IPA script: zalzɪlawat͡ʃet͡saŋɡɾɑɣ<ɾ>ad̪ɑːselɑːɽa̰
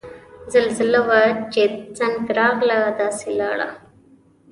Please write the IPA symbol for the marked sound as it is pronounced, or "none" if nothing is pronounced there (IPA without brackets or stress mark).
l